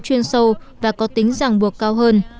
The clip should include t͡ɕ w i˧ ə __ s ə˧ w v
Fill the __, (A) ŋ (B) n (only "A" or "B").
B